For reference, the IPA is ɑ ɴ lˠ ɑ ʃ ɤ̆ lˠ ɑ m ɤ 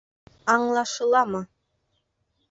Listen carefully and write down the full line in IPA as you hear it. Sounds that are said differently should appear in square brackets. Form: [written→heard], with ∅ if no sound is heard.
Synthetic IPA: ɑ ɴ lˠ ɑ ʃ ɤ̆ lˠ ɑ m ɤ